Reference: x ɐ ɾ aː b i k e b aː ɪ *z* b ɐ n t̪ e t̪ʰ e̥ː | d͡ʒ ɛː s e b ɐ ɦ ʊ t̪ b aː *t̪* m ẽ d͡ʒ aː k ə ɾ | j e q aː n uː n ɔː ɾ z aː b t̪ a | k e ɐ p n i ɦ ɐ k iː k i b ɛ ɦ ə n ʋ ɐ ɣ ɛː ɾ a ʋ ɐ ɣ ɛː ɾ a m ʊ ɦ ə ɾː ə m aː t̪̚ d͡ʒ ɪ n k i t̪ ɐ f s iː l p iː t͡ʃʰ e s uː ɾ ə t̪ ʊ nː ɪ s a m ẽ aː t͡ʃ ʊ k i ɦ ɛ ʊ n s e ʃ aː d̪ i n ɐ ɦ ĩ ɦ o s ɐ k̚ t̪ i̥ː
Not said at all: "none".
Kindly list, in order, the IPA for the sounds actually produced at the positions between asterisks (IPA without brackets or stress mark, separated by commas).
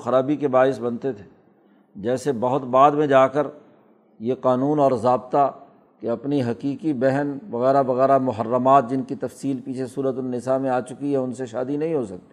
s, d̪